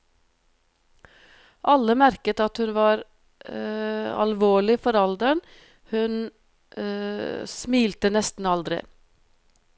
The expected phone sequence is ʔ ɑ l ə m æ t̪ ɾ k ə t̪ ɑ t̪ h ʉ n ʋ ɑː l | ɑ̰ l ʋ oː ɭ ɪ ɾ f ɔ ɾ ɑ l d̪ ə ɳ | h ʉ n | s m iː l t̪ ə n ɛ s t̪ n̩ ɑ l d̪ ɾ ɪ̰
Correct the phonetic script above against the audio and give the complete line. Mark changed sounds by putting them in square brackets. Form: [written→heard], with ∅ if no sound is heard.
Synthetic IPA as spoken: ʔ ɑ l ə m æ [t̪→∅] ɾ k ə t̪ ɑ t̪ h ʉ n ʋ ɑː [l→ɾ] | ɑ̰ l ʋ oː ɭ ɪ [ɾ→∅] f ɔ ɾ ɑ l d̪ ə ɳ | h ʉ n | s m iː l t̪ ə n ɛ s t̪ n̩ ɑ l d̪ ɾ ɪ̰

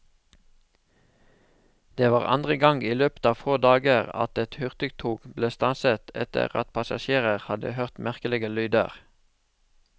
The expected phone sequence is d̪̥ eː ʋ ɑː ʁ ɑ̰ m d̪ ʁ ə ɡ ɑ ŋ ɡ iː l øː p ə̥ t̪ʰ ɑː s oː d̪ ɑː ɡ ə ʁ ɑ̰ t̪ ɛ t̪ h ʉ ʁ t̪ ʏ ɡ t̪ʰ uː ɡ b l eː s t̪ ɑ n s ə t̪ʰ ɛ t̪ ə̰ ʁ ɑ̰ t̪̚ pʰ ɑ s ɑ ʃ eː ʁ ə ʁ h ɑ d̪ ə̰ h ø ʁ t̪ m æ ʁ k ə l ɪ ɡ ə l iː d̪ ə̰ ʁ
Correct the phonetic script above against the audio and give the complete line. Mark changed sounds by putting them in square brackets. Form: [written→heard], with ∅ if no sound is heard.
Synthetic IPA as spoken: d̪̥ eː ʋ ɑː ʁ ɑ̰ [m→n] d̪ ʁ ə ɡ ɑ ŋ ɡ iː l øː p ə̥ [t̪ʰ→t̪] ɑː [s→f] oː d̪ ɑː ɡ ə ʁ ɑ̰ t̪ ɛ t̪ h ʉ ʁ t̪ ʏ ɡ t̪ʰ uː ɡ b l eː s t̪ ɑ n s ə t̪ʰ ɛ t̪ ə̰ ʁ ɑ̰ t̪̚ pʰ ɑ s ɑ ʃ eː ʁ ə ʁ h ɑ d̪ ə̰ h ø ʁ t̪ m æ ʁ k ə l ɪ ɡ ə l [iː→yː] d̪ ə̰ ʁ

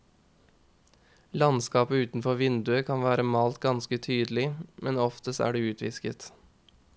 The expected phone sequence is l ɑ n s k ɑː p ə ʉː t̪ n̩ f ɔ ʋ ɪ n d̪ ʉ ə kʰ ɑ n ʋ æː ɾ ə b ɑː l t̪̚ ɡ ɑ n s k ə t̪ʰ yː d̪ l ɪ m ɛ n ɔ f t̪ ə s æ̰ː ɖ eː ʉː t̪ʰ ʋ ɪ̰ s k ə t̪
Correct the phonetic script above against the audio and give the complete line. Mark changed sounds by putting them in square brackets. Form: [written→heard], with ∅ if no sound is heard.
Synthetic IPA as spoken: l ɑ n s k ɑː p ə ʉː t̪ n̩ f ɔ ʋ ɪ n d̪ ʉ ə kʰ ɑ n ʋ æː ɾ ə [b→m] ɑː l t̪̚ ɡ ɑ n s k ə t̪ʰ yː d̪ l ɪ m ɛ n ɔ f t̪ ə s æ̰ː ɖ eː ʉː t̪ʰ ʋ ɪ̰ s k ə t̪

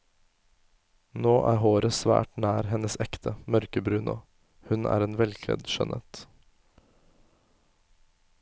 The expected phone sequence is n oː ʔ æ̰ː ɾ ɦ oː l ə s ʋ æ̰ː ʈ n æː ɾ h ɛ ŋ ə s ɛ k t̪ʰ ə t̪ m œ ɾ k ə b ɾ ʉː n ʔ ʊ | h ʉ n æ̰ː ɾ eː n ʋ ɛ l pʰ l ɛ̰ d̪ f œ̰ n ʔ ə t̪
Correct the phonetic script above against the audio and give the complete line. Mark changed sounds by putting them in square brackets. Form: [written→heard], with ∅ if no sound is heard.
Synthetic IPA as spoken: n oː ʔ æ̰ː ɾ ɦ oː [l→ɾ] ə s ʋ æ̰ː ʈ n æː ɾ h ɛ [ŋ→n] ə s ɛ k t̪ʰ ə [t̪→∅] m œ ɾ k ə b ɾ ʉː n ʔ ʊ | h ʉ n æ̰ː ɾ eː n ʋ ɛ l [pʰ→kʰ] l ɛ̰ d̪ [f→ʃ] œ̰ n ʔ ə t̪

